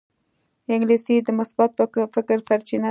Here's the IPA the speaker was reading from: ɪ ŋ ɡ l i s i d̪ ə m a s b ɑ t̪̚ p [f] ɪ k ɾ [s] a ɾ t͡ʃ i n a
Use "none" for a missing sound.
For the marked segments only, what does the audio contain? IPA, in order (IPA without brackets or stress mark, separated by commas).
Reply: f, s